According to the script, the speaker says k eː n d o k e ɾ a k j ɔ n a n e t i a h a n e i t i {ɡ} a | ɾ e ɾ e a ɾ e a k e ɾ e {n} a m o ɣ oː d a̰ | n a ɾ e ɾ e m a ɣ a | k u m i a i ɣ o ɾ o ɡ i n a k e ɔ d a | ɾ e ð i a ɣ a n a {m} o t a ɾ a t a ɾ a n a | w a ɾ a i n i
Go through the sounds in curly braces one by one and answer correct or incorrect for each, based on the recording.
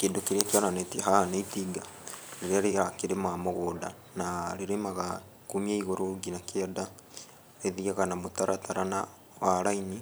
correct, incorrect: m, correct

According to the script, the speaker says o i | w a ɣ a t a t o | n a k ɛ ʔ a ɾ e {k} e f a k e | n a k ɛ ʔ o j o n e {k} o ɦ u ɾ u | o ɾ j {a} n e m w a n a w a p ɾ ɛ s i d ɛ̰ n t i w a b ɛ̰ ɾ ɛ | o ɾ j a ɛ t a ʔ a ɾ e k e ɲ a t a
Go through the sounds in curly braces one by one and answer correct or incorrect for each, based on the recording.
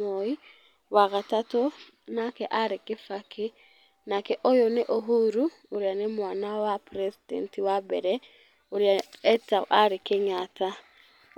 correct, incorrect: ʔ, correct

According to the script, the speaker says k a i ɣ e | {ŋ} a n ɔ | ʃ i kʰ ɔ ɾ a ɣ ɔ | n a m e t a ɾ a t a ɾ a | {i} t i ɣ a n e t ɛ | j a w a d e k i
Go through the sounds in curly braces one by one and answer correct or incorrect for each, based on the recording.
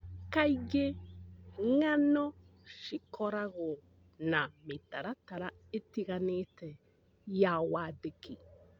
correct, incorrect: e

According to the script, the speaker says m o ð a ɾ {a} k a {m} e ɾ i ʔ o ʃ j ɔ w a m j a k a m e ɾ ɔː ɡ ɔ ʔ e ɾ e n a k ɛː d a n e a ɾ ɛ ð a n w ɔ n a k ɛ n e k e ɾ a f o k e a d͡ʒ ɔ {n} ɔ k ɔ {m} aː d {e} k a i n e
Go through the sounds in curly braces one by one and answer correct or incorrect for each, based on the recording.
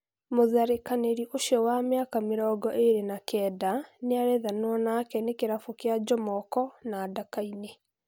incorrect: e, incorrect: n, incorrect: m, incorrect: n, incorrect: a

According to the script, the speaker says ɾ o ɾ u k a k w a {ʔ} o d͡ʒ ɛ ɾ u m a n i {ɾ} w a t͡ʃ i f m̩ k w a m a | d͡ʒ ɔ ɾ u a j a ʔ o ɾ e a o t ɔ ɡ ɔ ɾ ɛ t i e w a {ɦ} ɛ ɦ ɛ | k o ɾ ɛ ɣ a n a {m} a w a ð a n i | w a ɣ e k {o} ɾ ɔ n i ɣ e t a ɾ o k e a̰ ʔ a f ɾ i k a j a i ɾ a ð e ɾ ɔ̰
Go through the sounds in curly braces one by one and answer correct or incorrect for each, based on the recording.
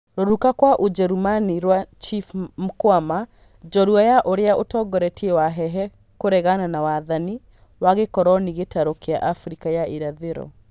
correct, correct, correct, incorrect: n, incorrect: ɔ

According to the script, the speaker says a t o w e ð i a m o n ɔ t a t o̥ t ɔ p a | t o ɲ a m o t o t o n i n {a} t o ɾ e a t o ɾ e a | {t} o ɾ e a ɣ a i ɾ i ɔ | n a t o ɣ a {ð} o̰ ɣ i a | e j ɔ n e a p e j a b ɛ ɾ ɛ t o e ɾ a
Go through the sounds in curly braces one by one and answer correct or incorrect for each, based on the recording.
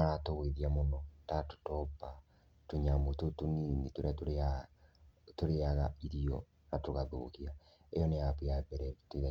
incorrect: i, correct, correct

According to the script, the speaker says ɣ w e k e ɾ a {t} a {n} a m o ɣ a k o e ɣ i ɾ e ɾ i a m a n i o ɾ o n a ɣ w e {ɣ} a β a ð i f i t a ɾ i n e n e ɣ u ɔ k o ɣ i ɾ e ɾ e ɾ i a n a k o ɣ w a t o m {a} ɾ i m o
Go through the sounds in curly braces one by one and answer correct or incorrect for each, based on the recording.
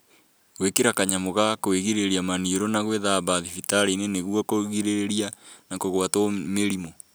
incorrect: k, incorrect: ɲ, incorrect: ð, incorrect: e

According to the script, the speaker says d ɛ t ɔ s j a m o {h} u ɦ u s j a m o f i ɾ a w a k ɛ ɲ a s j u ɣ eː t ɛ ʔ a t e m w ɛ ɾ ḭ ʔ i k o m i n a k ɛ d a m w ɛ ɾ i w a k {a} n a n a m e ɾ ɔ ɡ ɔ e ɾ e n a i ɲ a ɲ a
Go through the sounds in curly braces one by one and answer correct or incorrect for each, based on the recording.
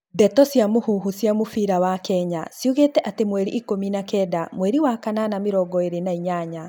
correct, correct

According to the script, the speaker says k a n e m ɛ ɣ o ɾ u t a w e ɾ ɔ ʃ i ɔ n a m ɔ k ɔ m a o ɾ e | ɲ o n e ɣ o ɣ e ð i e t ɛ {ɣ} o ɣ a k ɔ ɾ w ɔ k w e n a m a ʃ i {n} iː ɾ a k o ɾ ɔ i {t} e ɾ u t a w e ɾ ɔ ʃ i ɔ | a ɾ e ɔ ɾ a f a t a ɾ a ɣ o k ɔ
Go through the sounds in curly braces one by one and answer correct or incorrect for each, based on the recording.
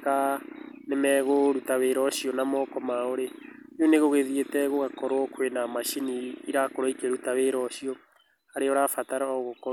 correct, correct, incorrect: k

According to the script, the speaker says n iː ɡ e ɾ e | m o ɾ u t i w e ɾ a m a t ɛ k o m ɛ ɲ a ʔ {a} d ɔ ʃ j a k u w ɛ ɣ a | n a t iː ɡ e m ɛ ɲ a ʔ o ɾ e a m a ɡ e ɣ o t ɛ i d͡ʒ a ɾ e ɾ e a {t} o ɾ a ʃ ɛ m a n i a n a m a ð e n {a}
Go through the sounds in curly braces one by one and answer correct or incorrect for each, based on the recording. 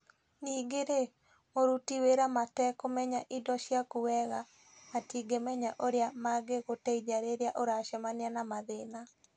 incorrect: i, incorrect: ʔ, correct

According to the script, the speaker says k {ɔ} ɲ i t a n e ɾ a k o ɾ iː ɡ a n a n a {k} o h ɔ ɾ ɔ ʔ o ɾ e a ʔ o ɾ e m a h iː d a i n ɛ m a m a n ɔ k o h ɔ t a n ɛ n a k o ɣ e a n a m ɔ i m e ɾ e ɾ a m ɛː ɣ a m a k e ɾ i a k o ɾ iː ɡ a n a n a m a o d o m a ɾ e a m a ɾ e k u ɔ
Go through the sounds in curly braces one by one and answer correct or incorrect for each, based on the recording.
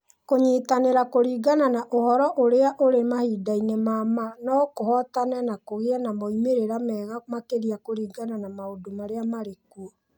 incorrect: o, incorrect: ʔ

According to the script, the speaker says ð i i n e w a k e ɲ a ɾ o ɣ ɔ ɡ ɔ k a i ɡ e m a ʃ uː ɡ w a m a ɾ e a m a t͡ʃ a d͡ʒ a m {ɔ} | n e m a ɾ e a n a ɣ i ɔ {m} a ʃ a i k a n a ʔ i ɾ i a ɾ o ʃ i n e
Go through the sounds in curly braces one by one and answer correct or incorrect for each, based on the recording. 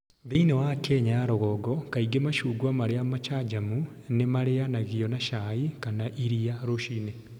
incorrect: u, incorrect: n

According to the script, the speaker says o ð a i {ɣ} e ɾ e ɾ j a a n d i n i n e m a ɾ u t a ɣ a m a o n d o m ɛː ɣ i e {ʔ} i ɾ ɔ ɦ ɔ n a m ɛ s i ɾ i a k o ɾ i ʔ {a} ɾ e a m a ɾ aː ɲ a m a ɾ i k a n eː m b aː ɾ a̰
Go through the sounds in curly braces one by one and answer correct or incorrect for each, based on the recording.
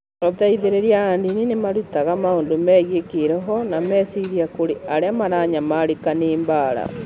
incorrect: ð, incorrect: k, correct

